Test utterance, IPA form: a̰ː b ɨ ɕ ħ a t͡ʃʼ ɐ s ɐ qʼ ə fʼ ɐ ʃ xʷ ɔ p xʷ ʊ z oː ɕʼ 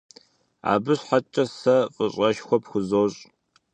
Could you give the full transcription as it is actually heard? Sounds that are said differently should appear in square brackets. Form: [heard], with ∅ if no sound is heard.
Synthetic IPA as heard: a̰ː b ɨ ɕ ħ a t͡ʃʼ ɐ s ɐ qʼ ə [ɕʼ] ɐ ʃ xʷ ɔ p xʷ ʊ z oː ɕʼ